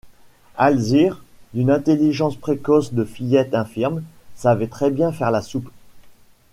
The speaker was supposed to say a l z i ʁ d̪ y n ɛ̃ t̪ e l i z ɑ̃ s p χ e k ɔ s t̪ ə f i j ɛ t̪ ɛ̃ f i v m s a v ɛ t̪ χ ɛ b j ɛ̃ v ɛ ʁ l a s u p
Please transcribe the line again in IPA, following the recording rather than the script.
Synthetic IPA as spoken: a l z i ʁ d̪ y n ɛ̃ t̪ e l i ʒ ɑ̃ s p χ e k ɔ s d̪ ə f i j ɛ t̪ ɛ̃ f i ʁ m s a v ɛ t̪ χ ɛ b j ɛ̃ f ɛ ʁ l a s u p